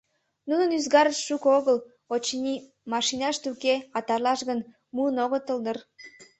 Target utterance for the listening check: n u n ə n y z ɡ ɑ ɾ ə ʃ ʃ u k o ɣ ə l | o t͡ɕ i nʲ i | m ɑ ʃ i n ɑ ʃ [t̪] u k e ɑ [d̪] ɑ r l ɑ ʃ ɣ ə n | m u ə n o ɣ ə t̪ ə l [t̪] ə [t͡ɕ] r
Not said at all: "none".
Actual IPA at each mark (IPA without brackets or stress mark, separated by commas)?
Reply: t̪, t̪, d̪, none